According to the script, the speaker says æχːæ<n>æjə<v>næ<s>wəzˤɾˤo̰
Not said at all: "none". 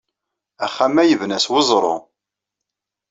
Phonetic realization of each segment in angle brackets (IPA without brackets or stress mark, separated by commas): m, v, s